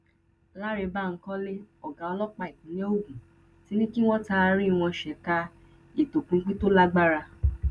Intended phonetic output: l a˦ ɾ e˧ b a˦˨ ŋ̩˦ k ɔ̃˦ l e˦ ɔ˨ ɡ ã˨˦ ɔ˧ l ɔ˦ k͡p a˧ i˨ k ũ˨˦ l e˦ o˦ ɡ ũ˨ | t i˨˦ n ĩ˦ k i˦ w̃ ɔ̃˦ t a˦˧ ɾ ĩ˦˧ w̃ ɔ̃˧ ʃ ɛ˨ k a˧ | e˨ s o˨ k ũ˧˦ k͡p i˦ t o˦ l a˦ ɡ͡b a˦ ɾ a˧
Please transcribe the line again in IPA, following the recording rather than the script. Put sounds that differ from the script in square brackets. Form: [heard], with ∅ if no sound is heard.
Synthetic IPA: l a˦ ɾ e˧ b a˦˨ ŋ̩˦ k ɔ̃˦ l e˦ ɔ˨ ɡ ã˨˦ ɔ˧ l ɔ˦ k͡p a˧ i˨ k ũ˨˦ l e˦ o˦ ɡ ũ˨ | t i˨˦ n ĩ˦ k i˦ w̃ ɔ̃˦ t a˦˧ ɾ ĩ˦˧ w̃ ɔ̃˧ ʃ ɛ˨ k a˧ | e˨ [t] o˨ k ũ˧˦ k͡p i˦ t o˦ l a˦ ɡ͡b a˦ ɾ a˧